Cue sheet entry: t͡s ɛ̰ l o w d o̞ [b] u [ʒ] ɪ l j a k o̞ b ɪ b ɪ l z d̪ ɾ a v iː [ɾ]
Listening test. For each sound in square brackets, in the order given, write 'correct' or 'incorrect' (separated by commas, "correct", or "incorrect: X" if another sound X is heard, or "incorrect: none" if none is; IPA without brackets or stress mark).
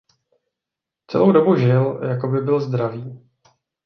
correct, correct, incorrect: none